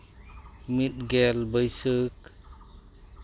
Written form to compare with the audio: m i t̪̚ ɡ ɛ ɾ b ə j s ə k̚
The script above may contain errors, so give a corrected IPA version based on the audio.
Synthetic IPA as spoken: m i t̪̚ ɡ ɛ l b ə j s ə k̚